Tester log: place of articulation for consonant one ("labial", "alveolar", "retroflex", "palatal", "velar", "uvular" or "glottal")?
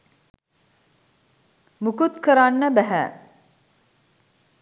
labial